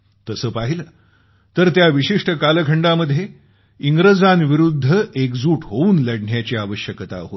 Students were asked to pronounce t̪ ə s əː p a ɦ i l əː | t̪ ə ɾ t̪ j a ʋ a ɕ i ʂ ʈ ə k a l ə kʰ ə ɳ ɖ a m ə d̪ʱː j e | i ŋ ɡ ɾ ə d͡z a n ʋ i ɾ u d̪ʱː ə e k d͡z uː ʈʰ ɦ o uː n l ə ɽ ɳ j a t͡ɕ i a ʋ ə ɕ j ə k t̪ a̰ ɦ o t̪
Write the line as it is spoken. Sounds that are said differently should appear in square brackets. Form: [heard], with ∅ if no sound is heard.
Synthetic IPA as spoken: t̪ ə s əː p a ɦ i l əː | t̪ ə ɾ t̪ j a ʋ [i] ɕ i ʂ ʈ ə k a l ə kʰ ə ɳ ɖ a m ə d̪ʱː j e | i ŋ ɡ ɾ ə d͡z a n ʋ i ɾ u d̪ʱː ə e k d͡z uː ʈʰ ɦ o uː n l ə ɽ ɳ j a t͡ɕ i a ʋ ə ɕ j ə k t̪ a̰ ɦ o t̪